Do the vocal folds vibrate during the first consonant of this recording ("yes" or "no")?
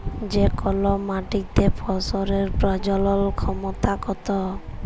yes